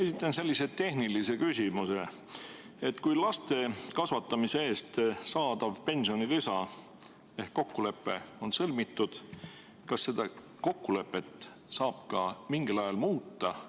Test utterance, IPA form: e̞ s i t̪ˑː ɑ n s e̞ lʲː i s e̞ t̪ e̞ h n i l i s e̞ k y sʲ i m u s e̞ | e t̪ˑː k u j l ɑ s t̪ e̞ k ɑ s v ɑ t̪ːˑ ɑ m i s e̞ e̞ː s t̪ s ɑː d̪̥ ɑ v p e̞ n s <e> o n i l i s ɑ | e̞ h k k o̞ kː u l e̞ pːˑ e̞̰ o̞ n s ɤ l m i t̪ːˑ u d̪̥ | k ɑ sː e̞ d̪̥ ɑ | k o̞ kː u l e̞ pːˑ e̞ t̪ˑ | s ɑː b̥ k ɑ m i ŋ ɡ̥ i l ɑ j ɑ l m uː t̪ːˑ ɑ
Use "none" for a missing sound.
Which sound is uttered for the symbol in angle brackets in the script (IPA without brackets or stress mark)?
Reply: i